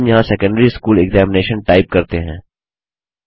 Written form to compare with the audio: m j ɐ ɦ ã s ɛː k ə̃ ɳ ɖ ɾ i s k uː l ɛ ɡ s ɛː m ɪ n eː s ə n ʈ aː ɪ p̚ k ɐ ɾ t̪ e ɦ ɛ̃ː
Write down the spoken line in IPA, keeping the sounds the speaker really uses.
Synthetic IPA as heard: m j ɐ ɦ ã s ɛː k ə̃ ɳ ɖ ɾ i s k uː l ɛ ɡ z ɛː m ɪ n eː ʃ ə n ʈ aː ɪ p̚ k ɐ ɾ t̪ e ɦ ɛ̃ː